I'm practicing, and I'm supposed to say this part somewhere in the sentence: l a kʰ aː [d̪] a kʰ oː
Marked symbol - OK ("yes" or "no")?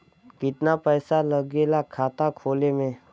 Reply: no